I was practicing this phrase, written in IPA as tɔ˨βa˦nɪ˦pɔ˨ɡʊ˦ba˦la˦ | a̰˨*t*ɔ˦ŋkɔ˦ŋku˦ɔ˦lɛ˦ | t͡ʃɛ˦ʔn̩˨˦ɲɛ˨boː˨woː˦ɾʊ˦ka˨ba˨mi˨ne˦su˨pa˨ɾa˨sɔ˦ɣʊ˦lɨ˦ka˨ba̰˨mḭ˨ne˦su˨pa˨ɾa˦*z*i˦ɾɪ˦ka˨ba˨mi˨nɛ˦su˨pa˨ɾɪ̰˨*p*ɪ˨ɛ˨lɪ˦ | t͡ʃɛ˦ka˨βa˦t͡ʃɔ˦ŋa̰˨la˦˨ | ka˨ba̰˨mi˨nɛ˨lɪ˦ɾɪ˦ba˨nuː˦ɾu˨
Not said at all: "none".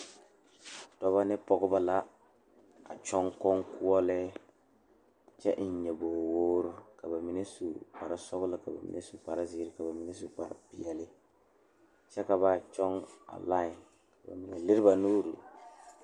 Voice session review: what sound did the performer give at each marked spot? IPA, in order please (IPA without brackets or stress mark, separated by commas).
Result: t͡ʃ, z, p